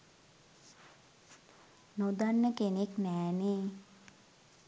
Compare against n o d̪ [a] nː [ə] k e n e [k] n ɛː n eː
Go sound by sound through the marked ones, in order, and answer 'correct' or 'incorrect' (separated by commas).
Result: correct, correct, correct